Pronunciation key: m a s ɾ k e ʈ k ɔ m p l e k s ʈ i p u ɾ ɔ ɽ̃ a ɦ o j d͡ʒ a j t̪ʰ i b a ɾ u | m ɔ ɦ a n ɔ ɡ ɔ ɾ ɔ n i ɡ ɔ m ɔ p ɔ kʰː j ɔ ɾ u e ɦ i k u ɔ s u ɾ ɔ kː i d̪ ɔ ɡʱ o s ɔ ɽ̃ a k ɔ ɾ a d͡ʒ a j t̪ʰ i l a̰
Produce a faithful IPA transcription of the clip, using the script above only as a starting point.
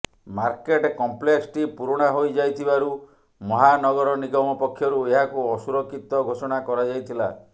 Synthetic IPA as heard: m a ɾ k e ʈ k ɔ m p l e k s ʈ i p u ɾ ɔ ɽ̃ a ɦ o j d͡ʒ a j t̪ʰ i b a ɾ u | m ɔ ɦ a n ɔ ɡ ɔ ɾ ɔ n i ɡ ɔ m ɔ p ɔ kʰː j ɔ ɾ u e ɦ a k u ɔ s u ɾ ɔ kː i t̪ ɔ ɡʱ o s ɔ ɽ̃ a k ɔ ɾ a d͡ʒ a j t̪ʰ i l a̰